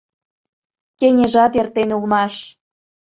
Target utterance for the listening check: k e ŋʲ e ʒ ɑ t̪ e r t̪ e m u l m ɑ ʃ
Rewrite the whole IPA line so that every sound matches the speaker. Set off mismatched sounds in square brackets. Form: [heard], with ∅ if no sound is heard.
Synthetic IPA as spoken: k e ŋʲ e ʒ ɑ t̪ e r t̪ e [n] u l m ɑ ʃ